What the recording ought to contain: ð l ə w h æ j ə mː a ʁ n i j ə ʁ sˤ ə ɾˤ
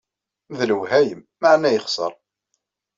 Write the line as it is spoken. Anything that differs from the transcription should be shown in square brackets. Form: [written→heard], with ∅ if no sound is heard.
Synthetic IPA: ð l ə w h æ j ə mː a [ʁ→ʕ] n [i→æ] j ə [ʁ→χ] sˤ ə ɾˤ